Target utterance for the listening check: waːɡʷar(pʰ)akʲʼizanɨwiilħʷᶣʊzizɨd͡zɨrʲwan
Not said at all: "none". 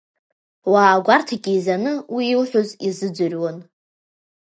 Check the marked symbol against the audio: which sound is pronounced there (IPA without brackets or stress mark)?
tʰ